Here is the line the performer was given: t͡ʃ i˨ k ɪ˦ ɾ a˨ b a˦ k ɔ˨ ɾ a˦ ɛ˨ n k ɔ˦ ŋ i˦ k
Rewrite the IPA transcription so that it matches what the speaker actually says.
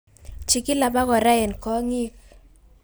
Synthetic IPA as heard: t͡ʃ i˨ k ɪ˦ l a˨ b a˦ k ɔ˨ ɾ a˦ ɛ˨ n k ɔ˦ ŋ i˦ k